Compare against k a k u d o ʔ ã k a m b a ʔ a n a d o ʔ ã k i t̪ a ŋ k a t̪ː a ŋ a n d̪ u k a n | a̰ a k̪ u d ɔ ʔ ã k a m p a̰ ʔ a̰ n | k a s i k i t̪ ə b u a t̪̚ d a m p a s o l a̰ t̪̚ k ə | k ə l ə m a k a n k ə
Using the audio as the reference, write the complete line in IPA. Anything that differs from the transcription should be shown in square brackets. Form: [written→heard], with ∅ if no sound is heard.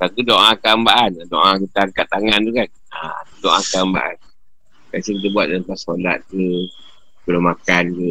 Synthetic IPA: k a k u d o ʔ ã k a m b a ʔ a n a d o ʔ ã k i t̪ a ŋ k a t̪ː a ŋ a n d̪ u k a n | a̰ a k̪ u d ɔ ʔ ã k a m [p→b] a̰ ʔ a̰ n | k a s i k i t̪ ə b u a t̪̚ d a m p a s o l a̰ t̪̚ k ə | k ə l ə m a k a n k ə